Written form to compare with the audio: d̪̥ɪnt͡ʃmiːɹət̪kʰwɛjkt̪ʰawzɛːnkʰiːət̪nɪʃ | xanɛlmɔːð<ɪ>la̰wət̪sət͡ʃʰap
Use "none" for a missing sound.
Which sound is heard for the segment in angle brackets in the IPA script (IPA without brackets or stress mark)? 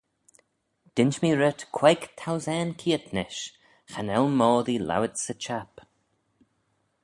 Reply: i